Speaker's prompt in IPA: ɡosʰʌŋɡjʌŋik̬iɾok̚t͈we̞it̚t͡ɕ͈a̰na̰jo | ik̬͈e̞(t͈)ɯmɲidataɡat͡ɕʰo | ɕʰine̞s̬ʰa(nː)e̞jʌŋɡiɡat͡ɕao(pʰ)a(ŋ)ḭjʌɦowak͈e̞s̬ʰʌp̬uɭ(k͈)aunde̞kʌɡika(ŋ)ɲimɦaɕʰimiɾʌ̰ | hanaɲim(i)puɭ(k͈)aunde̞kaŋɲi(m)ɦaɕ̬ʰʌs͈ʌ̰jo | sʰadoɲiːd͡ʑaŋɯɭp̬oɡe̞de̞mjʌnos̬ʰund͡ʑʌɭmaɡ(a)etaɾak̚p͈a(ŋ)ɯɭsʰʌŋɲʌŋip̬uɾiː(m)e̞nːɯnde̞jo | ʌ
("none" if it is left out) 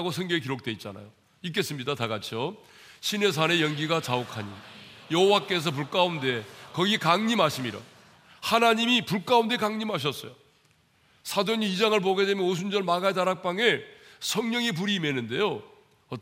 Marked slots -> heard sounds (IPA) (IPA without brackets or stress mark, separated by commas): s͈, n, kʰ, ɲ, k͈, ŋ, i, k͈, m, a, ŋ, m